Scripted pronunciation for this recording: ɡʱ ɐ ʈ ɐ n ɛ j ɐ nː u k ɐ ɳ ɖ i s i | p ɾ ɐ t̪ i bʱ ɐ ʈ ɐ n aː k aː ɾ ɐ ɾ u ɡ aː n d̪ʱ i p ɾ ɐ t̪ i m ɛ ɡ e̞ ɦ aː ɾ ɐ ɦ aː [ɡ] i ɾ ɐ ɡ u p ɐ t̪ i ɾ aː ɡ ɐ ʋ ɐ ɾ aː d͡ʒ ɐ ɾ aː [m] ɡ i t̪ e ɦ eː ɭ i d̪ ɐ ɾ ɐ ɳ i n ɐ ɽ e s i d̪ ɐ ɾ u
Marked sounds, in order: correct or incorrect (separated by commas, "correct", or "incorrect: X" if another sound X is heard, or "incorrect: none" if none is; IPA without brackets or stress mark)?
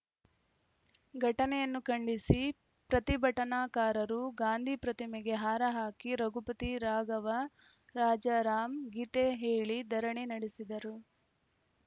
incorrect: k, correct